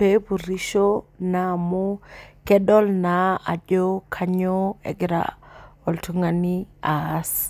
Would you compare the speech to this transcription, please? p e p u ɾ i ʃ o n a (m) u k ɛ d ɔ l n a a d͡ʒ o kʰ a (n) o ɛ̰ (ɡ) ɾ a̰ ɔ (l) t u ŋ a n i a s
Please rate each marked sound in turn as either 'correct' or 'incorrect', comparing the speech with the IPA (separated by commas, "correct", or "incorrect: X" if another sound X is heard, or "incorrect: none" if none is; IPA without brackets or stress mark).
correct, incorrect: ɲ, correct, correct